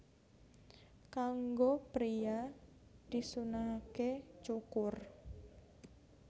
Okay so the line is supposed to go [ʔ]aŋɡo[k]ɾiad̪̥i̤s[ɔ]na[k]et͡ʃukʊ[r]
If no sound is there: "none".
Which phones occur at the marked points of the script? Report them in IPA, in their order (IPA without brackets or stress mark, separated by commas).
k, p, u, k, r